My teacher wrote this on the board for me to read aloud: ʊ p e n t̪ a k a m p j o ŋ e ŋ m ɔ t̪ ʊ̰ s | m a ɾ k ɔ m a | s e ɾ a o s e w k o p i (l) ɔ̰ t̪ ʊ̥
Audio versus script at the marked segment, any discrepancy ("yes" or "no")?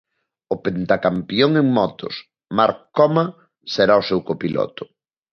no